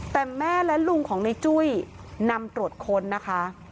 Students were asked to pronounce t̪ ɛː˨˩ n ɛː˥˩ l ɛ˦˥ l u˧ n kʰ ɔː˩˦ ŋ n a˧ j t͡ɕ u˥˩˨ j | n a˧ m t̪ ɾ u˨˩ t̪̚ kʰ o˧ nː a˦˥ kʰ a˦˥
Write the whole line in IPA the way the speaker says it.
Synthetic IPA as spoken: t̪ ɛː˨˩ m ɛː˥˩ l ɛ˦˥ l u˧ ŋ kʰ ɔː˩˦ ŋ n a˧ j t͡ɕ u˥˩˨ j | n a˧ m t̪ ɾ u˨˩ t̪̚ kʰ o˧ nː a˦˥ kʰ a˦˥